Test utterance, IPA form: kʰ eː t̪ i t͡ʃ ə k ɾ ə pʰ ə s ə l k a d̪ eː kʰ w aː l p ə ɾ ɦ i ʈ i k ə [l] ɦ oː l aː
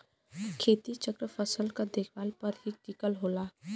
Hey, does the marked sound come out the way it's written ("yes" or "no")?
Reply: yes